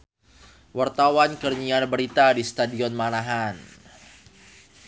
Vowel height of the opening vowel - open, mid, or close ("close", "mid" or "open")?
open